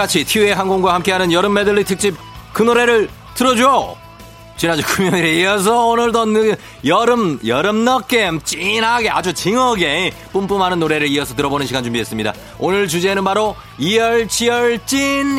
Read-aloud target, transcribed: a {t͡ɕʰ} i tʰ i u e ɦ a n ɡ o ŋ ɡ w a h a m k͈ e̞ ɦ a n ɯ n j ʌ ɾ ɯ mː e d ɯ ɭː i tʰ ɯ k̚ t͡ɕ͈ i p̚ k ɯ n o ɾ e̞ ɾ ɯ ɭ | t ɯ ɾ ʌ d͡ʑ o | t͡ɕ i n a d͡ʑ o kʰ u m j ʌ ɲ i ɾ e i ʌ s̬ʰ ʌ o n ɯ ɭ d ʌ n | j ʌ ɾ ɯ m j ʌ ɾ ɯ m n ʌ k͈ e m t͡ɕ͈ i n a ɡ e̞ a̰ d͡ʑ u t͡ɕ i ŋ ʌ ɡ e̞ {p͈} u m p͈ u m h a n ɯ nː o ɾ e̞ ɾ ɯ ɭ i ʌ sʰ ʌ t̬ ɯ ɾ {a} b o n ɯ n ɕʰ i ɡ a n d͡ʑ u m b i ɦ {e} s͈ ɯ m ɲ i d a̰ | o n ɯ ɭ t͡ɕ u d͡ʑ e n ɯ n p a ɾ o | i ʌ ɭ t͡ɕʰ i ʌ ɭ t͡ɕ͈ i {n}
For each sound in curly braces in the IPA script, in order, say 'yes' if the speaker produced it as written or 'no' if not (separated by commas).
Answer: yes, yes, no, yes, yes